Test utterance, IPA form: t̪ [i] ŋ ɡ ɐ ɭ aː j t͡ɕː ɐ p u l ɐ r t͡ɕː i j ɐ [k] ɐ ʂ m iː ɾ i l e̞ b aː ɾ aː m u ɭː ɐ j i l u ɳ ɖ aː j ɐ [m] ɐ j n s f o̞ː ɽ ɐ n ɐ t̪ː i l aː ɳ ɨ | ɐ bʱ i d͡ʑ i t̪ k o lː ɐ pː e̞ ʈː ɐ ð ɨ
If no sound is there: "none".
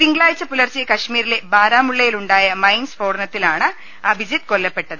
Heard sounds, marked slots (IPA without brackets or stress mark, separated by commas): i, k, m